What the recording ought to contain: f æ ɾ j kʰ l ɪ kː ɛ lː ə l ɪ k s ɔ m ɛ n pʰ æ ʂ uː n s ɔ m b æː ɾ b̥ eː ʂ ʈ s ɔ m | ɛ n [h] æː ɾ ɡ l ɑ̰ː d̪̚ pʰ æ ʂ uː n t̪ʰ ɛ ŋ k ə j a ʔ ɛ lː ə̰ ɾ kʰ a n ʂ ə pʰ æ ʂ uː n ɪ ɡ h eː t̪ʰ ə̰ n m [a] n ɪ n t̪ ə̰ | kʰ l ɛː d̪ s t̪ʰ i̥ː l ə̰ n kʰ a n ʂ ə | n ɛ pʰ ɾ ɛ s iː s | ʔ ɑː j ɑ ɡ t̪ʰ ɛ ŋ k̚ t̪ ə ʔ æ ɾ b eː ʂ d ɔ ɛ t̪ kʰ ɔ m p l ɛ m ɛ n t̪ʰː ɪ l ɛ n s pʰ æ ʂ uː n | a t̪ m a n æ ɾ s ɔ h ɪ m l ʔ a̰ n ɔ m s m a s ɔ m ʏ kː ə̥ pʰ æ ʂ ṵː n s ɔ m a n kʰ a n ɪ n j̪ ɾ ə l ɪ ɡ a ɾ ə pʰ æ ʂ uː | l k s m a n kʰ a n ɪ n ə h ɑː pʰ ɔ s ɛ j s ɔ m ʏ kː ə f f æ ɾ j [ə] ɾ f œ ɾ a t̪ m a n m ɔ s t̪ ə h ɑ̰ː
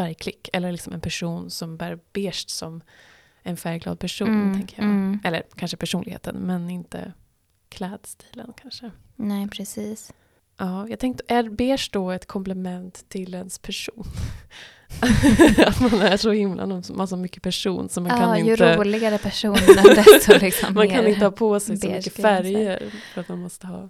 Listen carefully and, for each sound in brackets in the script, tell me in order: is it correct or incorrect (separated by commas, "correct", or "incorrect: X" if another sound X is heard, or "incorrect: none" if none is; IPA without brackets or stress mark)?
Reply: incorrect: f, incorrect: ɛ, correct